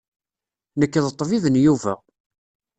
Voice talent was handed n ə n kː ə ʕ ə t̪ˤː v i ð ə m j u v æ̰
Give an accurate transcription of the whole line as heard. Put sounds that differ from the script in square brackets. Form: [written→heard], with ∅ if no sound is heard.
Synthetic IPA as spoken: n ə [n→∅] kː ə [ʕ→ð] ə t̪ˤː v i ð ə [m→n] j u v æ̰